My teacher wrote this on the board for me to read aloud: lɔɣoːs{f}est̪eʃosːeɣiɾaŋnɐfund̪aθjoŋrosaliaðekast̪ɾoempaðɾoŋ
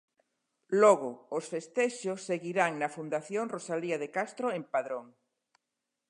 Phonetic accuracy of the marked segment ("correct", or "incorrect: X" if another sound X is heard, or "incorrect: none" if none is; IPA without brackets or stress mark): correct